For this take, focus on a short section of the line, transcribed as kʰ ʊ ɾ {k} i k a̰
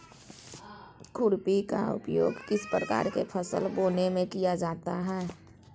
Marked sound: incorrect: p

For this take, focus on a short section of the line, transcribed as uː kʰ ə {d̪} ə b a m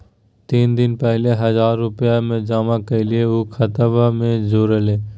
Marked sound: incorrect: t̪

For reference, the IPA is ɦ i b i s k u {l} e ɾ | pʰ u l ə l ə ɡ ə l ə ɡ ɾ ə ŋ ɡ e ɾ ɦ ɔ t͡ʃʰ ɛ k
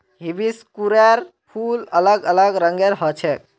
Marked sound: incorrect: ɾ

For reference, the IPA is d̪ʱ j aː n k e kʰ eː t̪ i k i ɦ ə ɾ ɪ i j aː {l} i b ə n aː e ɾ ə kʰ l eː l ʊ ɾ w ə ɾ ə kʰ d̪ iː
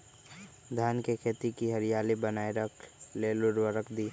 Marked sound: correct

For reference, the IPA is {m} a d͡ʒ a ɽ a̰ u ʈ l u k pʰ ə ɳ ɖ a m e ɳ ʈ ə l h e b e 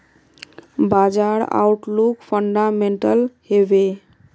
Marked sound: incorrect: b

